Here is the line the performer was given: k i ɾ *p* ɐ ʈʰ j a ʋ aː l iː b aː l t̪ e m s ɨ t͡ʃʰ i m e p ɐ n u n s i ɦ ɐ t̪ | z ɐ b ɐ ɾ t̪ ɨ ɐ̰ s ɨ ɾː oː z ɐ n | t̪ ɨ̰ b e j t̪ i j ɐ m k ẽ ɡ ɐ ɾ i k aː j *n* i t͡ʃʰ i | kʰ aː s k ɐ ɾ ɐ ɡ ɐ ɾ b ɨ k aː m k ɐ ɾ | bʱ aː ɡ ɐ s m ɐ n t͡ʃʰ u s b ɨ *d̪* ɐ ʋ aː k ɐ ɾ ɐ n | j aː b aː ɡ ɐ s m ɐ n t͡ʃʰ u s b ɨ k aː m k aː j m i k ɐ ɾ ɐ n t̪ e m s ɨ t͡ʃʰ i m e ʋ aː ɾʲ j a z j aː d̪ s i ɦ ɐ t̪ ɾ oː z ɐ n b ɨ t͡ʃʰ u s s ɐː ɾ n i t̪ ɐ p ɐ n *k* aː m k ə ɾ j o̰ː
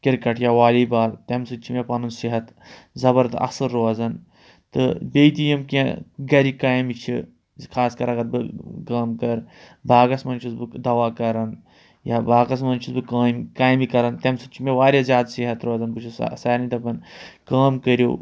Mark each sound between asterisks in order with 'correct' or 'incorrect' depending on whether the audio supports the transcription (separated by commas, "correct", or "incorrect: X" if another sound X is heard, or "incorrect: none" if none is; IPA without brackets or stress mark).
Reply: incorrect: k, incorrect: m, correct, correct